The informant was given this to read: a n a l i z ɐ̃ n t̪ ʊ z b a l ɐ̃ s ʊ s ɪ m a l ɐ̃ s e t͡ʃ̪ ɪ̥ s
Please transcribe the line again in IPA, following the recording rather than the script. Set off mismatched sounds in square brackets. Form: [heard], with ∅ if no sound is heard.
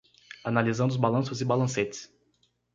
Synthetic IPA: a n a l i z ɐ̃ n [d̪] ʊ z b a l ɐ̃ s ʊ [z] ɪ [b] a l ɐ̃ s e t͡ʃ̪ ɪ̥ s